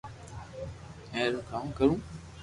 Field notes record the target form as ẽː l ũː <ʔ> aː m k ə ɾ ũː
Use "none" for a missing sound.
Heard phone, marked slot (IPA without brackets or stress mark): k